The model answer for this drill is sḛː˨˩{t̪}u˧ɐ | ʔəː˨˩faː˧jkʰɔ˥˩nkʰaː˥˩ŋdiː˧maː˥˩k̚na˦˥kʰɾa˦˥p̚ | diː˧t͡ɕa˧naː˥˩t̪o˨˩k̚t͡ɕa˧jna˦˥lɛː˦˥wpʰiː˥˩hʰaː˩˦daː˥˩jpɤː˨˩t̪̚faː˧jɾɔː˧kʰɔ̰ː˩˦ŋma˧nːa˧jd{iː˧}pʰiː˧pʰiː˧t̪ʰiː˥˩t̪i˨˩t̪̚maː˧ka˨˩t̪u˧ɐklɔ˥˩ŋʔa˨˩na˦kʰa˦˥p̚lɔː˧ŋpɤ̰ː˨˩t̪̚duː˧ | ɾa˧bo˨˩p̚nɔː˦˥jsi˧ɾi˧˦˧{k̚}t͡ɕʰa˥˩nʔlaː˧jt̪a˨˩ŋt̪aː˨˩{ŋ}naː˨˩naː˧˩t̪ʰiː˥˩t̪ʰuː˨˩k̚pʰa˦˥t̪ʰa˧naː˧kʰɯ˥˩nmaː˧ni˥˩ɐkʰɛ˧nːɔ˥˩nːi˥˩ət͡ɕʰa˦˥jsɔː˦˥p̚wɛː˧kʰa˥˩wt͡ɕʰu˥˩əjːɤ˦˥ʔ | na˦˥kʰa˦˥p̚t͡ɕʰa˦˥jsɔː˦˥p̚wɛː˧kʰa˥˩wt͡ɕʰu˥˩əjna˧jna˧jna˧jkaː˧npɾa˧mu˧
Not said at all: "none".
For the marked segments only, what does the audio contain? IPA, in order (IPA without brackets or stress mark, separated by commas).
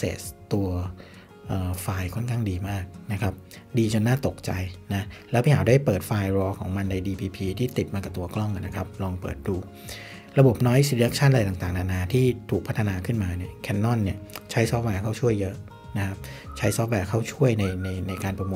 t̪, iː˧, k̚, ŋ